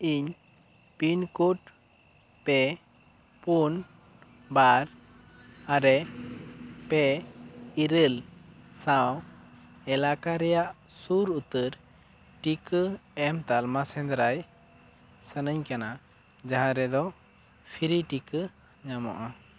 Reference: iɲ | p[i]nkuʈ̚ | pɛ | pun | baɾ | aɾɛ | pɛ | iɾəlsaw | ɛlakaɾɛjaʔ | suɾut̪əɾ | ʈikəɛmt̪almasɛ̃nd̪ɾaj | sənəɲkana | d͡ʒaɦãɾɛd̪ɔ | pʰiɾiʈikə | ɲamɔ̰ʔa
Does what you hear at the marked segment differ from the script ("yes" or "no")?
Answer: no